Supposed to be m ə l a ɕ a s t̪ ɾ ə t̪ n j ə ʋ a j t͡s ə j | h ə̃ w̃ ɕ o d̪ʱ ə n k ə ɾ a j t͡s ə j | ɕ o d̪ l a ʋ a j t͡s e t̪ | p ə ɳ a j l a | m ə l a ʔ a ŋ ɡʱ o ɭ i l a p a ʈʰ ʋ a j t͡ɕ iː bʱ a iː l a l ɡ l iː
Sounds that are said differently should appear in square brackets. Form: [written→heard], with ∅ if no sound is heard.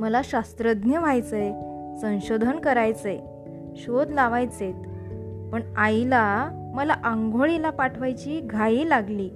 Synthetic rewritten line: m ə l a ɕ a s t̪ ɾ ə [t̪→d̪] n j ə ʋ a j t͡s ə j | [h→s] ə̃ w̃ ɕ o d̪ʱ ə n k ə ɾ a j t͡s ə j | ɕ o d̪ l a ʋ a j t͡s e t̪ | p ə ɳ a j l a | m ə l a ʔ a ŋ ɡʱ o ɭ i l a p a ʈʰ ʋ a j t͡ɕ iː [bʱ→ɡʱ] a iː l a [l→∅] ɡ l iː